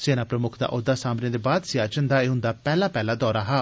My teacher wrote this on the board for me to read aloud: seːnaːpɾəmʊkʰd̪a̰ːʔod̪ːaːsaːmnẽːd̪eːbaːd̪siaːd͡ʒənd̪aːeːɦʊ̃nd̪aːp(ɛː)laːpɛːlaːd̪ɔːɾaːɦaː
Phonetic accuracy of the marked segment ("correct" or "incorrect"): correct